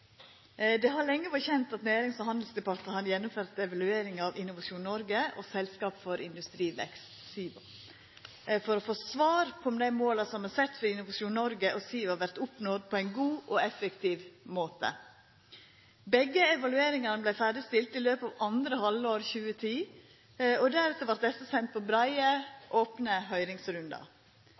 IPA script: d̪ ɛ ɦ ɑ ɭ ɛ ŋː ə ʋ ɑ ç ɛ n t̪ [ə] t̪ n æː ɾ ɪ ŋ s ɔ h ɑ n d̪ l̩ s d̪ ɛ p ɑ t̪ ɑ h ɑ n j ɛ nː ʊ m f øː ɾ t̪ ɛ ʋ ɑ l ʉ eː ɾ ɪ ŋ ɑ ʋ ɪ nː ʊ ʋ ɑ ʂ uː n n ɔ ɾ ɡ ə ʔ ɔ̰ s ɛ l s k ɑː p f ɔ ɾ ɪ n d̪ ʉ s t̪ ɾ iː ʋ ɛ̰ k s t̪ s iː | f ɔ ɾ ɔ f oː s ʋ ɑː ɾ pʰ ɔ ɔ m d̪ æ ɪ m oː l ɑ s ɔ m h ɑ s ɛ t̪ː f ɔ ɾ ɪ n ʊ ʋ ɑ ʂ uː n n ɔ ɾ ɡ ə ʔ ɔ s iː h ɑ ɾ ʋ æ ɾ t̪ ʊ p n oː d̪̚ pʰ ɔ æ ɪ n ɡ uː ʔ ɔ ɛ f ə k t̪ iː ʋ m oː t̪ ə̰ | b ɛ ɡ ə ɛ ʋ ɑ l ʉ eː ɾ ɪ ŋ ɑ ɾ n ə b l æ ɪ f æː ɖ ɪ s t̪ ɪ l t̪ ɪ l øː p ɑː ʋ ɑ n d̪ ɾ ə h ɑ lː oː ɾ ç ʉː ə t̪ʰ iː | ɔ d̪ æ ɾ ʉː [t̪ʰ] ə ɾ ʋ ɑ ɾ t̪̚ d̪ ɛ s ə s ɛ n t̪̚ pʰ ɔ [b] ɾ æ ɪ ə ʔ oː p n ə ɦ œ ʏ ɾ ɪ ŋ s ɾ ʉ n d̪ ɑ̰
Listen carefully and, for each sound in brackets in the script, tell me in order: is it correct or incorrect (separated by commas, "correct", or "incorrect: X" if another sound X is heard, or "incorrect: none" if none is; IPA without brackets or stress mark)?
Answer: incorrect: ɑ, incorrect: t̪, correct